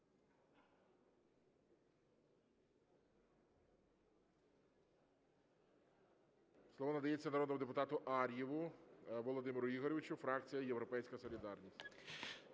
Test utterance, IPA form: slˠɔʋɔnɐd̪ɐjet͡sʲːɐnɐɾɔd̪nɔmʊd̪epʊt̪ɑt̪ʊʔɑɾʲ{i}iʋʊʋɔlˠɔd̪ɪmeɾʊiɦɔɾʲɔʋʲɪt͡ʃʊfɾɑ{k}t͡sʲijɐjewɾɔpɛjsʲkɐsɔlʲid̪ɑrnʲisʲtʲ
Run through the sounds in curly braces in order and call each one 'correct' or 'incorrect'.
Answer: incorrect, correct

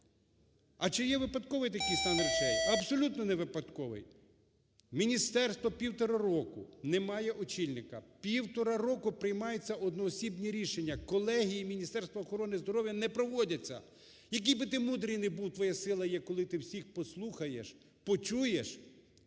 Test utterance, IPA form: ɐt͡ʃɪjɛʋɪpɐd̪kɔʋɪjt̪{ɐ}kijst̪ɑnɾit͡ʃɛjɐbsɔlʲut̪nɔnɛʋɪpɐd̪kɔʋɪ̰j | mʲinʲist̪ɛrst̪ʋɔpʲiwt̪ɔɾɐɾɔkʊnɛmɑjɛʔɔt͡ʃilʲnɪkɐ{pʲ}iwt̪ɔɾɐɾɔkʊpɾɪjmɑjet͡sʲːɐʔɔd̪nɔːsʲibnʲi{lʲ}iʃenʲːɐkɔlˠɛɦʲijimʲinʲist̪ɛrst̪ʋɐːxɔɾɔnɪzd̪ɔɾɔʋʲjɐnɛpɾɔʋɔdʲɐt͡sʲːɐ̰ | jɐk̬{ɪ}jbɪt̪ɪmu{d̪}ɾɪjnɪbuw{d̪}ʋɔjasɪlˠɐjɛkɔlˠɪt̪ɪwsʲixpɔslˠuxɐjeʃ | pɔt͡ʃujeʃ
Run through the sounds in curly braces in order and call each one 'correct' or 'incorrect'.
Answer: correct, correct, incorrect, incorrect, correct, incorrect

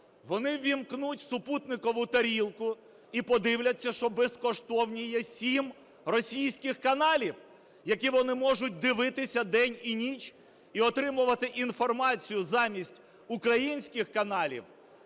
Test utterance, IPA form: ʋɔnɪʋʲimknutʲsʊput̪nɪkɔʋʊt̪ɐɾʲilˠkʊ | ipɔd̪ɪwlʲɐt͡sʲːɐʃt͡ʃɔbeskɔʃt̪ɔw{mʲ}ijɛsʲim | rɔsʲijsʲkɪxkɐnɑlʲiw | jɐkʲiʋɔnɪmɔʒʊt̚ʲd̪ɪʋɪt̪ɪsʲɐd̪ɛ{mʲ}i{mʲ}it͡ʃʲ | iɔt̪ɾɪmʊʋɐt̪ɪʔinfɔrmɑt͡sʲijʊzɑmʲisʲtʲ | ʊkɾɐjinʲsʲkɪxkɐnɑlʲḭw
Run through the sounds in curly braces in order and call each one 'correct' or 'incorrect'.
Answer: incorrect, incorrect, incorrect

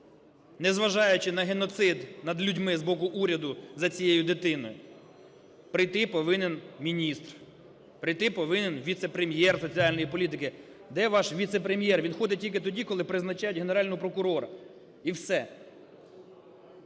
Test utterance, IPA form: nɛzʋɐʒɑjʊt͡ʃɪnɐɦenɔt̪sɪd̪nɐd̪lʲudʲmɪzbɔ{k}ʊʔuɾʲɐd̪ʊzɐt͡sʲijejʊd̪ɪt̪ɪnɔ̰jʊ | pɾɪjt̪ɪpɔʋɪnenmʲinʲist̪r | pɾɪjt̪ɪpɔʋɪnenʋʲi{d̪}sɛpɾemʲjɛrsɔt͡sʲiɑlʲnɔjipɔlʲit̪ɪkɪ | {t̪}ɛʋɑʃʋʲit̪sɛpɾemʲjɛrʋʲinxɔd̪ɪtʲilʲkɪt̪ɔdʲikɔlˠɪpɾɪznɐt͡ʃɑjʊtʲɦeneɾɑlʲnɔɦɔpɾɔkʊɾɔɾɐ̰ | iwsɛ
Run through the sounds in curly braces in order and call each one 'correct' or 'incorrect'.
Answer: correct, incorrect, incorrect

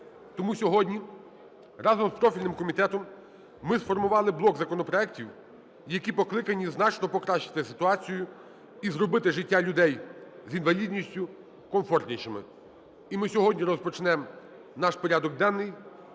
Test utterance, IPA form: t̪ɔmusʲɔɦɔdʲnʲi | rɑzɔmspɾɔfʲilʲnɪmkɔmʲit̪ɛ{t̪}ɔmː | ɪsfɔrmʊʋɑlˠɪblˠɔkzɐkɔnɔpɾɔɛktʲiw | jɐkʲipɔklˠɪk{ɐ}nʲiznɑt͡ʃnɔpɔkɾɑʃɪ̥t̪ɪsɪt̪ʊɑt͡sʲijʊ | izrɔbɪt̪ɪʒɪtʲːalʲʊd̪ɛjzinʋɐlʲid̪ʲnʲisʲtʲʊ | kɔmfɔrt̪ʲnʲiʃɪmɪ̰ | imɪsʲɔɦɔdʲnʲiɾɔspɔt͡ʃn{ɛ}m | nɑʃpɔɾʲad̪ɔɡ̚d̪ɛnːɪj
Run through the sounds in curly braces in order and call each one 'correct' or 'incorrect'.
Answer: correct, correct, correct

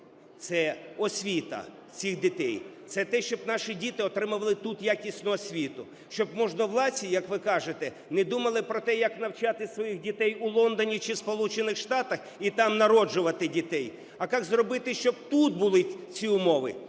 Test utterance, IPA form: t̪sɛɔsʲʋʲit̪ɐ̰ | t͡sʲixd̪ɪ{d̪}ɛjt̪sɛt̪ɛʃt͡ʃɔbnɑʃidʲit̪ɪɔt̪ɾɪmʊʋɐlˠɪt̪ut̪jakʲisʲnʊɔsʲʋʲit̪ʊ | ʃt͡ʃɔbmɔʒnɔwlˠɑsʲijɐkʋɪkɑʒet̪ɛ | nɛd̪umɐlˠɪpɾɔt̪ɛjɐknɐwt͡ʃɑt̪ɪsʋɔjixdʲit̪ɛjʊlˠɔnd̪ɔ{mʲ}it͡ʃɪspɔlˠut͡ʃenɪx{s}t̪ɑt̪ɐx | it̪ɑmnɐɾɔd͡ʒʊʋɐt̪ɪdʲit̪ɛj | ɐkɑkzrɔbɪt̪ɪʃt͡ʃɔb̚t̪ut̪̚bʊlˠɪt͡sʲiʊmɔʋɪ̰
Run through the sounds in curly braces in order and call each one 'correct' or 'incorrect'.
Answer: incorrect, incorrect, incorrect

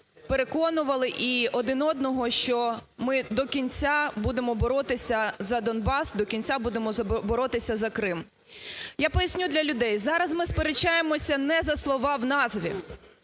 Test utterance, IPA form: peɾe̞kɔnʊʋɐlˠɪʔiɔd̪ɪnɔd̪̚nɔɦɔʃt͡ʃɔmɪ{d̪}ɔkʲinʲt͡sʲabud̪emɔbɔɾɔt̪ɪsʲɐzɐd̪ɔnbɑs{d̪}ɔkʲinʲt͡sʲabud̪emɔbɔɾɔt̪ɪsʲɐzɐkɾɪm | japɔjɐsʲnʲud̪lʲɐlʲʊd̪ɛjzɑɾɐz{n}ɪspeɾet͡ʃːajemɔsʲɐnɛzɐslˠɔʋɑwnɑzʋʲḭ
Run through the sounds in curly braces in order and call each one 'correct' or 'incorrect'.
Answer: correct, correct, incorrect

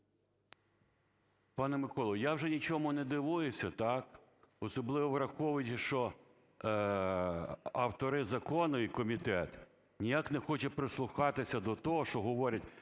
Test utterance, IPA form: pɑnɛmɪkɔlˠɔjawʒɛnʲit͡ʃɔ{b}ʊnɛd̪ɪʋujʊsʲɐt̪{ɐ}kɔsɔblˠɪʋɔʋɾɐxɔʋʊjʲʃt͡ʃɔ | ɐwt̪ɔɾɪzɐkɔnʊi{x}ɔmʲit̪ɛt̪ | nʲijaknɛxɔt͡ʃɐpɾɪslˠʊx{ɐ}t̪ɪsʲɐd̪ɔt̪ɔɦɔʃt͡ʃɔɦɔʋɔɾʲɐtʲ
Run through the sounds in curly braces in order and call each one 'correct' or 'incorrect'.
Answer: incorrect, incorrect, incorrect, incorrect

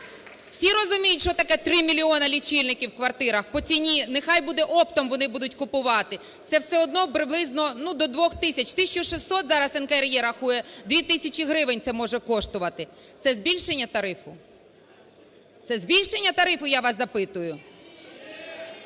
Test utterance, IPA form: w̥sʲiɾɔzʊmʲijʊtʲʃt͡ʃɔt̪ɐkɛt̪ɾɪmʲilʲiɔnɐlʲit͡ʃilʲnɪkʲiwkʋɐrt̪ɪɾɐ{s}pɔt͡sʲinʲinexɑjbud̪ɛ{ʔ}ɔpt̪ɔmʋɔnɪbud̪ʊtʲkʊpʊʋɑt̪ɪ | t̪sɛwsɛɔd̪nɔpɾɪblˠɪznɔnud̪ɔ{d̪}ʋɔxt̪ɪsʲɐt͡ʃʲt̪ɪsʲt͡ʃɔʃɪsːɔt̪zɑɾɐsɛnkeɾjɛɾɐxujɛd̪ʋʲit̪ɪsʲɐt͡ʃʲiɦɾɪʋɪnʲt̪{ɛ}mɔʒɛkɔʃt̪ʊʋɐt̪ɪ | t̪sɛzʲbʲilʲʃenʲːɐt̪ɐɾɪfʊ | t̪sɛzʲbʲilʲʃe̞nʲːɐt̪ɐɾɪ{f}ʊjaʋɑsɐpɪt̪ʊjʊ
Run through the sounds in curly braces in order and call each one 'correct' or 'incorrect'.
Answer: incorrect, correct, correct, correct, correct

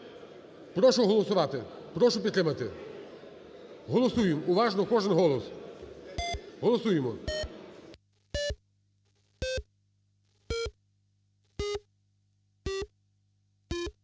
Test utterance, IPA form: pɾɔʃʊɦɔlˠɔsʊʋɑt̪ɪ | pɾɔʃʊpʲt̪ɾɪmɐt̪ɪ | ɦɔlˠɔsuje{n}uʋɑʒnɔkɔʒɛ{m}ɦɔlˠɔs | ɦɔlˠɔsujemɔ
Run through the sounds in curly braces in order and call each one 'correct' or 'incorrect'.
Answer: incorrect, incorrect

